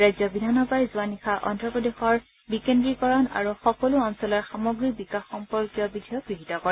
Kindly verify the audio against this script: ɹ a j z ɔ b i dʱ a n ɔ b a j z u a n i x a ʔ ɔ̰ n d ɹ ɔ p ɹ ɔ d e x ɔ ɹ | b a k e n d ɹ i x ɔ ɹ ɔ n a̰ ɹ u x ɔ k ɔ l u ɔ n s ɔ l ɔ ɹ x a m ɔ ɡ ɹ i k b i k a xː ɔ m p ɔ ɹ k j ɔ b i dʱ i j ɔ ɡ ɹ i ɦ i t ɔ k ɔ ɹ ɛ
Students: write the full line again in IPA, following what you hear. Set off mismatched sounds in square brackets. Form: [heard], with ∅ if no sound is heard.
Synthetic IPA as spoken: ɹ a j z ɔ b i dʱ a n ɔ b a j z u a n i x a ʔ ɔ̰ n d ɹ ɔ p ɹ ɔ d e x ɔ ɹ | b [i] k e n d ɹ i [k] ɔ ɹ ɔ n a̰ ɹ u x ɔ k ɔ l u ɔ n s ɔ l ɔ ɹ x a m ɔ ɡ ɹ i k b i k a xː ɔ m p ɔ ɹ k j ɔ b i dʱ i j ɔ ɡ ɹ i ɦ i t ɔ k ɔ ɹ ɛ